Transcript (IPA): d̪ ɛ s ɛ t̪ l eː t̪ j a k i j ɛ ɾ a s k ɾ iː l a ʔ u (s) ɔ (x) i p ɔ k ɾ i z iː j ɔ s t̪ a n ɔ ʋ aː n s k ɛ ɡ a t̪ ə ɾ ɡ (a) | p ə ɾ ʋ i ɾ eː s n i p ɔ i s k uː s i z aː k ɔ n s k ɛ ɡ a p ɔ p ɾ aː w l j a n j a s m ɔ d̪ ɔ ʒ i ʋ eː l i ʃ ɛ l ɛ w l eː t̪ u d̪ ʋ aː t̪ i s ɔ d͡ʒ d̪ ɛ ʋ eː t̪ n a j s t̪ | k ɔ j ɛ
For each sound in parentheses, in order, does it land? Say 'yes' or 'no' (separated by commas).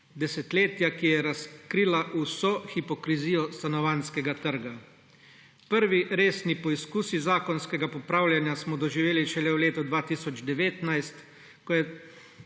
yes, yes, yes